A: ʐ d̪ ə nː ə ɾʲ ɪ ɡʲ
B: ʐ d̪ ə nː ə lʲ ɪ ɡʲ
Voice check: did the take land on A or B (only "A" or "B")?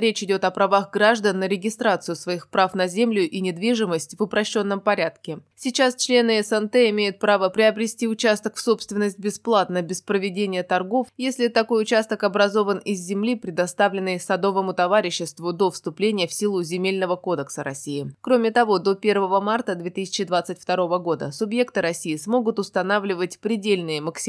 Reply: A